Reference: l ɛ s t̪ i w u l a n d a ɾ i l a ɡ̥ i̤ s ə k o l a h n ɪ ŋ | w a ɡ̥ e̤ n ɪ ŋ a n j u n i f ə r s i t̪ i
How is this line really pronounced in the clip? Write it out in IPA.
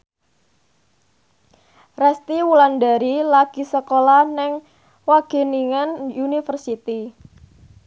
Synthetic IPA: r ɛ s t̪ i w u l a n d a ɾ i l a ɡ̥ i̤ s ə k o l a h n ɪ ŋ | w a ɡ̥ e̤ n i ŋ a n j u n i f ə r s i t̪ i